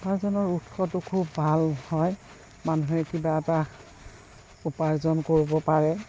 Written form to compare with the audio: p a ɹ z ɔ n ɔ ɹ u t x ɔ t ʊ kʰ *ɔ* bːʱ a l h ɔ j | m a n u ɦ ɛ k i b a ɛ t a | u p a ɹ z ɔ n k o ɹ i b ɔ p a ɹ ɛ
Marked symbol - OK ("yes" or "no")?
no